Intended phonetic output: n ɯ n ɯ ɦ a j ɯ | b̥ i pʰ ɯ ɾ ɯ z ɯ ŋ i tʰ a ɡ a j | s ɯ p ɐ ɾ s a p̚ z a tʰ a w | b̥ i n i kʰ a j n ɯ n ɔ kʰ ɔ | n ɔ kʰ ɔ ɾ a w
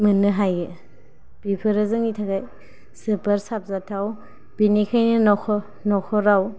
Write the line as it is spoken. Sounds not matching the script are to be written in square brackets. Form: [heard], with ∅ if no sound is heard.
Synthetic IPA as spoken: [m] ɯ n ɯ ɦ a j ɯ | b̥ i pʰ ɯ ɾ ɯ z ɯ ŋ i tʰ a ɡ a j | s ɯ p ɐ ɾ s a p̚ z a tʰ a w | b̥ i n i kʰ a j n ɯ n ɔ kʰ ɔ | n ɔ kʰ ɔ ɾ a w